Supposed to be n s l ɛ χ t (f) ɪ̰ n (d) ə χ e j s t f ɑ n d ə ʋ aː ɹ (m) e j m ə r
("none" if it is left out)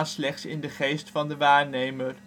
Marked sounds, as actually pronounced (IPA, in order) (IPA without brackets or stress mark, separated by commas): s, d, n